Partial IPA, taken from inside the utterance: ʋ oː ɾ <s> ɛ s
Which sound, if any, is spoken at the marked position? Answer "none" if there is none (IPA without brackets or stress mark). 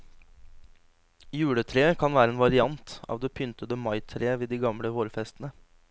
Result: f